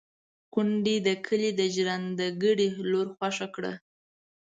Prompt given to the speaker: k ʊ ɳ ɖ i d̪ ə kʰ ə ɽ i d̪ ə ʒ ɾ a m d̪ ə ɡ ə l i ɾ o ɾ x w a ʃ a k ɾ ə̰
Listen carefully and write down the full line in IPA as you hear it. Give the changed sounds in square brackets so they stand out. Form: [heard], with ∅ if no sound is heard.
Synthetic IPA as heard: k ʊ ɳ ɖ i d̪ ə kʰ ə [l] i d̪ ə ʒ ɾ a [n] d̪ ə ɡ ə [ɽ] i [l] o ɾ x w a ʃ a k [ɽ] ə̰